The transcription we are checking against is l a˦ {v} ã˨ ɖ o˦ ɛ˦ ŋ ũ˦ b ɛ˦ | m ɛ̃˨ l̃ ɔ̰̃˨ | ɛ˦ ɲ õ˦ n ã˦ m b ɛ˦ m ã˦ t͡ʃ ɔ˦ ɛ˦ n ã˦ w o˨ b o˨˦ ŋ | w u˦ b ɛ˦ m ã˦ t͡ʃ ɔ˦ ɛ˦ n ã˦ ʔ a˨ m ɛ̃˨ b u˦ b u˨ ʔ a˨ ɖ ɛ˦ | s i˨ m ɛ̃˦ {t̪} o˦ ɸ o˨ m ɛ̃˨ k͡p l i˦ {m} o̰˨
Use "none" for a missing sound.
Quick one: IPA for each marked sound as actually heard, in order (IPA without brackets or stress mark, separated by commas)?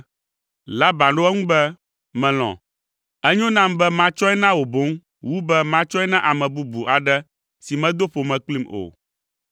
b, d̪, m